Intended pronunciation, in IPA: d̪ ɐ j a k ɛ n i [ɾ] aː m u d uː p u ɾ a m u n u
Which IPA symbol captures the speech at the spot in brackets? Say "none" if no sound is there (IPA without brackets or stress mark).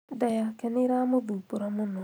ɾ